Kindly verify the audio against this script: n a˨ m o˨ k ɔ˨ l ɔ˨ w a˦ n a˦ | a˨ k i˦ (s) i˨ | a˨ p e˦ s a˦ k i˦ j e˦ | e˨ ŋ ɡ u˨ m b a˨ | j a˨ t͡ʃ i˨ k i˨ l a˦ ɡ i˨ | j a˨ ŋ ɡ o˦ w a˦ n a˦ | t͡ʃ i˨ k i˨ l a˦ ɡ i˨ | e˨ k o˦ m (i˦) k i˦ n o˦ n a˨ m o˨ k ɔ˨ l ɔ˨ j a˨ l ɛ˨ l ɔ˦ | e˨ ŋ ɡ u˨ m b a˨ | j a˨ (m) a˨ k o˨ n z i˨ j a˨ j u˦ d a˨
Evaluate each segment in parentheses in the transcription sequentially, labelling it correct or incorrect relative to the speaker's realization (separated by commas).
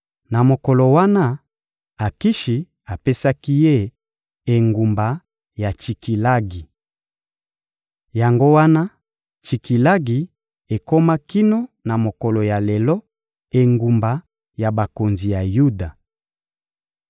incorrect, incorrect, incorrect